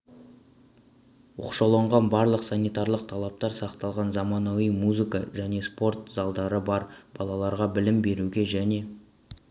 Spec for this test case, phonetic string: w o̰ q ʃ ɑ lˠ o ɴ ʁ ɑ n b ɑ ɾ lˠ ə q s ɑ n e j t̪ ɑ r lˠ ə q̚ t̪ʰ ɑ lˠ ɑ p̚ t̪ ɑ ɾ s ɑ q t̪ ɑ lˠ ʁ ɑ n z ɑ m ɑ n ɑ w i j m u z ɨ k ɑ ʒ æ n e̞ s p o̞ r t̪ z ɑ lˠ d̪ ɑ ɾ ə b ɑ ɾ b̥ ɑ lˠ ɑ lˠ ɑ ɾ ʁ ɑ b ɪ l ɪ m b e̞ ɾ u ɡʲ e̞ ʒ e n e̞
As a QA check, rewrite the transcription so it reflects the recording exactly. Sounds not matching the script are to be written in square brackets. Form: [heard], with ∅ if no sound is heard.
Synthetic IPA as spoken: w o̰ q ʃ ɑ lˠ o ɴ ʁ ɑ n b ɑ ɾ lˠ ə q s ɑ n [i] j t̪ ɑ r lˠ ə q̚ t̪ʰ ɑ lˠ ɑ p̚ t̪ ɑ ɾ s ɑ q t̪ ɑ lˠ ʁ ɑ n z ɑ m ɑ n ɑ w i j m u z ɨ k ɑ ʒ æ n e̞ s p o̞ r t̪ z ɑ lˠ d̪ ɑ ɾ ə b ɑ ɾ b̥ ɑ lˠ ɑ lˠ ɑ ɾ ʁ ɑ b ɪ l ɪ m b e̞ ɾ u ɡʲ e̞ ʒ [æ] n e̞

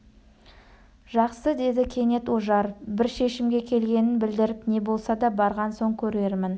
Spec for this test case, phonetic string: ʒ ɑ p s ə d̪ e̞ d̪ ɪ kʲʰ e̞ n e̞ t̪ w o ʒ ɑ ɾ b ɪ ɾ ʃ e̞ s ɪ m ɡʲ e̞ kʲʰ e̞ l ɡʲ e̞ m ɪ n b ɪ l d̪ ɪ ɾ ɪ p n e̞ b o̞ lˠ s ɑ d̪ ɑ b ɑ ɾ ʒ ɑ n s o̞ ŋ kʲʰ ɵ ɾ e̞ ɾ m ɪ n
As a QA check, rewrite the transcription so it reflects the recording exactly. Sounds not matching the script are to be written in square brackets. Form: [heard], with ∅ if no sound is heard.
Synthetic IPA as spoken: ʒ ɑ [q] s ə d̪ e̞ d̪ ɪ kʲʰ e̞ n e̞ t̪ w o ʒ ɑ ɾ b ɪ ɾ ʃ e̞ [ʃ] ɪ m ɡʲ e̞ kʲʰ e̞ l ɡʲ e̞ [n] ɪ n b ɪ l d̪ ɪ ɾ ɪ p n e̞ b o̞ lˠ s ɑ d̪ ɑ b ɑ ɾ [ʁ] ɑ n s o̞ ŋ kʲʰ ɵ ɾ e̞ ɾ m ɪ n

